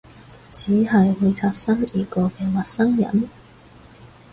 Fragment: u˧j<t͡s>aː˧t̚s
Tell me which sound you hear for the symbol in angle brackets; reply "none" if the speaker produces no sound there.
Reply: t͡sʰ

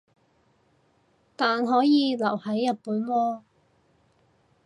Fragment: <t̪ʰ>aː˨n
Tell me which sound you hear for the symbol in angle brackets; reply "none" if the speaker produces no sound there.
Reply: t̪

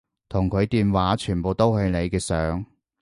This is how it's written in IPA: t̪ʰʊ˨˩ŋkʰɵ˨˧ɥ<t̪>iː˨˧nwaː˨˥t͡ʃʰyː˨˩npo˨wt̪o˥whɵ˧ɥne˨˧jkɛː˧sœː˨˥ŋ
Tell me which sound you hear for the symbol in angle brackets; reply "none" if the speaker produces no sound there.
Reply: t̪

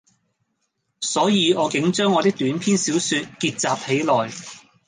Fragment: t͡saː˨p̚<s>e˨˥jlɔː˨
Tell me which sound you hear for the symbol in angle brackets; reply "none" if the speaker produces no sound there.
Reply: h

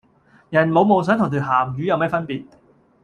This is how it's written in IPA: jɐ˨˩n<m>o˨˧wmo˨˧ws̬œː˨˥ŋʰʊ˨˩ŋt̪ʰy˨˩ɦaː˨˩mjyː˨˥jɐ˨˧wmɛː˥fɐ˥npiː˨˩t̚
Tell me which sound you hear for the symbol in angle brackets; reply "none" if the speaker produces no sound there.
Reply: m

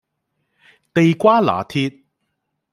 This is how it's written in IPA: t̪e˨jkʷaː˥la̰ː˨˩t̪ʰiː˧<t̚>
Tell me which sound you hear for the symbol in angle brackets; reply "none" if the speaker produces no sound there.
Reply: t̚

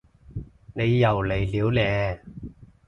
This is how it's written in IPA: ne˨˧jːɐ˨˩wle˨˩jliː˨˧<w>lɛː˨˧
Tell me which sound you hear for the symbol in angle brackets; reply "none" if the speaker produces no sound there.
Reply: w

